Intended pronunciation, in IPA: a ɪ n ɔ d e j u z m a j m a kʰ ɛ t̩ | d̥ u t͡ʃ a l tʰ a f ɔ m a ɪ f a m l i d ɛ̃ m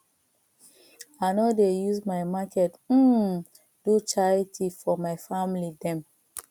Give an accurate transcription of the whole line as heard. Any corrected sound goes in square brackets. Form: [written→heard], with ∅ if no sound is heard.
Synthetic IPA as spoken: a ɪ n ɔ d e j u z m a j m a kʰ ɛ t̩ | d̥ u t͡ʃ a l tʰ [a→i] f ɔ m a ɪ f a m l i d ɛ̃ m

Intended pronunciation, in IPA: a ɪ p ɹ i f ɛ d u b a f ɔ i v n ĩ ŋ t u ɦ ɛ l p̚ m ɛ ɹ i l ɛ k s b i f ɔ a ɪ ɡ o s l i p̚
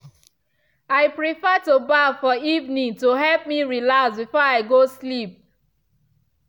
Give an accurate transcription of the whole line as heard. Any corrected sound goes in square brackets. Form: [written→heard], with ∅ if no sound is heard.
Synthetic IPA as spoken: a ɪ p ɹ i f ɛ [d→t] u b a f ɔ i v n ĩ ŋ t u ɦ ɛ l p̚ m [ɛ→i] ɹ i l [ɛ→a] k s b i f ɔ a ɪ ɡ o s l i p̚

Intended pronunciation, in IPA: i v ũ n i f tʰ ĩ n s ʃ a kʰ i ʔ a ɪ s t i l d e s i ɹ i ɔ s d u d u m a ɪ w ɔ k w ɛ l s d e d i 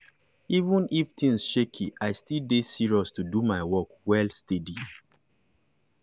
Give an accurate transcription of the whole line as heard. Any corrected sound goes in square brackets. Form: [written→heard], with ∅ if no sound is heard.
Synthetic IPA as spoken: i v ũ n i f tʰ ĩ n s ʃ [a→e] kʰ i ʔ a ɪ s t i l d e s i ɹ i ɔ s [d→t] u d u m a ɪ w ɔ k w ɛ l s [d→t] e d i

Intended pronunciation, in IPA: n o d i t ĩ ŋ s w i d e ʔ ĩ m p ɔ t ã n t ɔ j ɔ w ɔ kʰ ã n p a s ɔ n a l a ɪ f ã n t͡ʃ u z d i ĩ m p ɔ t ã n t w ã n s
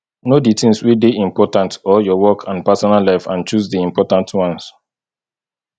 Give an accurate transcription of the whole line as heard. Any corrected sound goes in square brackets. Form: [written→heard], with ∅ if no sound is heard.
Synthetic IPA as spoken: n o d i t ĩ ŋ s w i d e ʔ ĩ m p ɔ t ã n t ɔ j ɔ w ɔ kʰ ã n p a s ɔ n a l a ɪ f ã n t͡ʃ u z d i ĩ m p ɔ t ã n t w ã n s

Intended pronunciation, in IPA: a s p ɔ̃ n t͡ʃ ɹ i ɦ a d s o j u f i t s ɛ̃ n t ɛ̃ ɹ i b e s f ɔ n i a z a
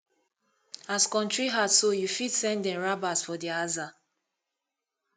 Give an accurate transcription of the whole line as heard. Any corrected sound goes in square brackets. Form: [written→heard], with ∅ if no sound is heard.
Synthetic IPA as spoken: a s [p→k] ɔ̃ n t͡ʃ ɹ i ɦ a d s o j u f i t s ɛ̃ n [t→d] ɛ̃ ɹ [i→a] b [e→a] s f ɔ [n→d] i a z a

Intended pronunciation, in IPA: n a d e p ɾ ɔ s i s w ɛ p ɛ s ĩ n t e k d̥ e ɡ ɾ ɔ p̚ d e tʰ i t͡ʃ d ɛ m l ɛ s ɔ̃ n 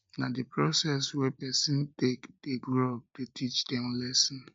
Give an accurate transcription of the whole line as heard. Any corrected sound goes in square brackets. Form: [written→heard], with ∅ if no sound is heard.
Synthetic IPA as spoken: n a d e p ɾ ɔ s [i→ɛ] s w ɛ p ɛ s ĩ n t e k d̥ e ɡ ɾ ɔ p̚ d e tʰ i t͡ʃ d ɛ m l ɛ s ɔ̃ n

